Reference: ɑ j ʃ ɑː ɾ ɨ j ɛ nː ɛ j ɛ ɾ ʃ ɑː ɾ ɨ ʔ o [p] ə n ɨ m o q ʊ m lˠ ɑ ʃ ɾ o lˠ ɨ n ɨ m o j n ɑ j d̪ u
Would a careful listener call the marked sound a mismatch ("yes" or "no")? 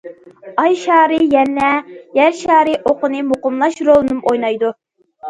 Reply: yes